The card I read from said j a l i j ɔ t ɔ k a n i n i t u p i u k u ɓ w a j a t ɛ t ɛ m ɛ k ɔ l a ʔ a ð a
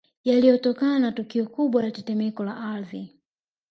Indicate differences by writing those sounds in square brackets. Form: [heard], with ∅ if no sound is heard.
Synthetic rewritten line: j a l i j ɔ t ɔ k a n [a] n [a] t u [k] i [ɔ] k u ɓ w a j a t ɛ t ɛ m ɛ k ɔ l a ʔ a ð [i]